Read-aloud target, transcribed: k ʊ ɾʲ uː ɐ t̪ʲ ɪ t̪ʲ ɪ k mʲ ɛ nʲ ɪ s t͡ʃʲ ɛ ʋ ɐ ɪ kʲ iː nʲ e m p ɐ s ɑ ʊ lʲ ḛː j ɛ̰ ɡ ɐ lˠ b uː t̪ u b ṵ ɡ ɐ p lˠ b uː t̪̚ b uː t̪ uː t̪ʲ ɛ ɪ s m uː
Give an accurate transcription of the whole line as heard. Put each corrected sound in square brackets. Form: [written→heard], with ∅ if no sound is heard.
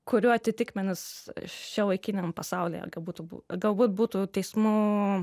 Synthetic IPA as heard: k ʊ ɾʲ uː ɐ t̪ʲ ɪ t̪ʲ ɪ k mʲ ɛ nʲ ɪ s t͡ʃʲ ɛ ʋ ɐ ɪ kʲ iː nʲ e m p ɐ s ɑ ʊ lʲ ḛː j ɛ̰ ɡ ɐ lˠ b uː t̪ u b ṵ ɡ ɐ [p→∅] lˠ b uː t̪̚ b uː t̪ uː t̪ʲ ɛ ɪ s m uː